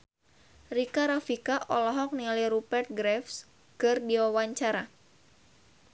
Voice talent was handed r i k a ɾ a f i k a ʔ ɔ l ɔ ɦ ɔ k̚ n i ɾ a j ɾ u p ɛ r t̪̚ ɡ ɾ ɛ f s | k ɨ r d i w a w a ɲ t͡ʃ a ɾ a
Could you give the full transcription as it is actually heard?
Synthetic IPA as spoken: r i k a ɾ a f i k a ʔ ɔ l ɔ ɦ ɔ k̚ n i l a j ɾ u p ɛ r t̪̚ ɡ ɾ ɛ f s | k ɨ r d i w a w a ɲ t͡ʃ a ɾ a